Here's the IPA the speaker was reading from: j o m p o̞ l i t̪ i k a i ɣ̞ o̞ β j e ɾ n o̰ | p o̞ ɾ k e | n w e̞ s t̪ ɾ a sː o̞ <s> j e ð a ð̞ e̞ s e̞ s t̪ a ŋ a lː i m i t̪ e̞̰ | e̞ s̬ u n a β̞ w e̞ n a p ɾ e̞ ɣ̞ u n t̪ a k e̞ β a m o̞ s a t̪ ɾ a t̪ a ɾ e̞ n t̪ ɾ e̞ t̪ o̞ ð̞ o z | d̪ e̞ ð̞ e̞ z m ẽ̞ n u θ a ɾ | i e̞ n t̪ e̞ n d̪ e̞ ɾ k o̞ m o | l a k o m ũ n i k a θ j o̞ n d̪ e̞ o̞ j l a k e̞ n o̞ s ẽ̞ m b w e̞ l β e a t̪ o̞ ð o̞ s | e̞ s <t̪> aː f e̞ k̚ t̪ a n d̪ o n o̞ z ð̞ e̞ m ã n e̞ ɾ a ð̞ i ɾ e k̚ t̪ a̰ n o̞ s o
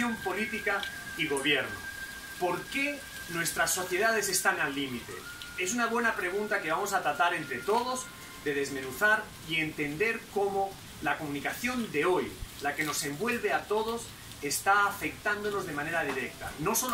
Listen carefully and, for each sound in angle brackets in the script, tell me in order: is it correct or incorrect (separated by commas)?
incorrect, correct